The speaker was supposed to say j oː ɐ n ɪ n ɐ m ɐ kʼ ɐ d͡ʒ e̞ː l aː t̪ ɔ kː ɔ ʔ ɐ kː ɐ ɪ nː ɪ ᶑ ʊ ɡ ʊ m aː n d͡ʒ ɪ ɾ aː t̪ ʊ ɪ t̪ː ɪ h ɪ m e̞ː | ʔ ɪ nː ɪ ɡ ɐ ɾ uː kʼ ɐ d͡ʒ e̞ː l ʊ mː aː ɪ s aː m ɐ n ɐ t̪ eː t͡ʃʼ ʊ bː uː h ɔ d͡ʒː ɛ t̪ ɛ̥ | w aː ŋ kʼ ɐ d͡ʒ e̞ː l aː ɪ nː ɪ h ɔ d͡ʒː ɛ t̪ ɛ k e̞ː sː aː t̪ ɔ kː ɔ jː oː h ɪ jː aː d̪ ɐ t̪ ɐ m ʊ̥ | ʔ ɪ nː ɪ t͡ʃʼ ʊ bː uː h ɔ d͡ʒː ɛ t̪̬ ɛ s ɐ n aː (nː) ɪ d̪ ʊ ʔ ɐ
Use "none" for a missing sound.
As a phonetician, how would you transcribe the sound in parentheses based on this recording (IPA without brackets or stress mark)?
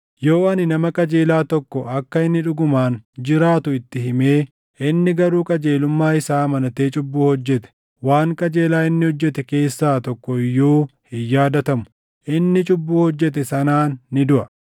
nː